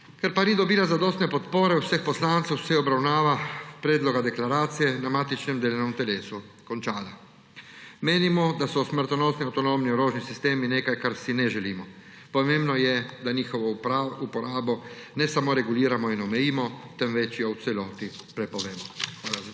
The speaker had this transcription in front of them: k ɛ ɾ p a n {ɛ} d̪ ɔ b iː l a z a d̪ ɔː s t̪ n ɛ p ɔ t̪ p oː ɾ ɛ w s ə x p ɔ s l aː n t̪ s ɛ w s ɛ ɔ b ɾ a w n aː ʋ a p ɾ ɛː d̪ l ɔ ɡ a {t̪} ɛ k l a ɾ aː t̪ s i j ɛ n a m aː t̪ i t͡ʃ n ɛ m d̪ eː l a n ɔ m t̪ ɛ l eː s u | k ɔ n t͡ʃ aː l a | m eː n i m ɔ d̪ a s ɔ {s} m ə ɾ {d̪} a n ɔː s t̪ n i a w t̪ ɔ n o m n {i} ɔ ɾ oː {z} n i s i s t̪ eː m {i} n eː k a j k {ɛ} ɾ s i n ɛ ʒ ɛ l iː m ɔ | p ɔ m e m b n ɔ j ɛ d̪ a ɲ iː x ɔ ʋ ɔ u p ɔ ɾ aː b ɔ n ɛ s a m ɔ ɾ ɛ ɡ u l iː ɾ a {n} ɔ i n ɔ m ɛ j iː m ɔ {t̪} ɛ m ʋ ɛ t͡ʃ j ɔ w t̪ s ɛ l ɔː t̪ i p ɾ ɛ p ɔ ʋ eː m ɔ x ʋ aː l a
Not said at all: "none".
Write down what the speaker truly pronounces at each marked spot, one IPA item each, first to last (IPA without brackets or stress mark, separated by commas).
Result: i, d̪, s, t̪, i, ʒ, i, a, m, t̪